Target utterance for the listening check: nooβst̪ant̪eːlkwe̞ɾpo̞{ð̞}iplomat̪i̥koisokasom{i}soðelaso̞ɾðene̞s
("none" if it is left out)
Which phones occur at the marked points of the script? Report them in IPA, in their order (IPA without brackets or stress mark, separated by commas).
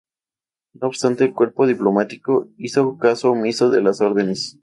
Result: ð̞, i